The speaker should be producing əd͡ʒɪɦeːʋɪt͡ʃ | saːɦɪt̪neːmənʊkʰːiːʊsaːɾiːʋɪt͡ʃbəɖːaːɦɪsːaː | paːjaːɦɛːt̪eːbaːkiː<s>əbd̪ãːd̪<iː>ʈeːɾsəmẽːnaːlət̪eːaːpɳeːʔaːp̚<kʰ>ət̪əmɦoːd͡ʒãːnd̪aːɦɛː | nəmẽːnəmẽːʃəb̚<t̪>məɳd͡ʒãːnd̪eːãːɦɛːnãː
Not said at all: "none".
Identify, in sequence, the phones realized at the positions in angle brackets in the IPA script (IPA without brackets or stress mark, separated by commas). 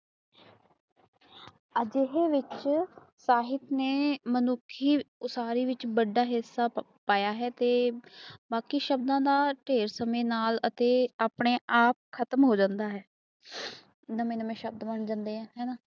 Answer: ʃ, aː, kʰ, d̪